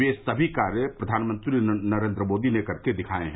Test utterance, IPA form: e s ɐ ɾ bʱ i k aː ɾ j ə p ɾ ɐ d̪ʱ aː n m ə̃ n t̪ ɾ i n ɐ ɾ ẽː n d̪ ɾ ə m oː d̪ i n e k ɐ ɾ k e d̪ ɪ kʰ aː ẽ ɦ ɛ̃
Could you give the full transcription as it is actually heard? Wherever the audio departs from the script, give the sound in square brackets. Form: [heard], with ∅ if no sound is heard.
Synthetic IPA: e s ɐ [∅] bʱ i k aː ɾ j ə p ɾ ɐ d̪ʱ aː n m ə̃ n t̪ ɾ i n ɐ ɾ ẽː n d̪ ɾ ə m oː d̪ i n e k ɐ ɾ k e d̪ ɪ kʰ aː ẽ ɦ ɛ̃